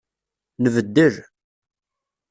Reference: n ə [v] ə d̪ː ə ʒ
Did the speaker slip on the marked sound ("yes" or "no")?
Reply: no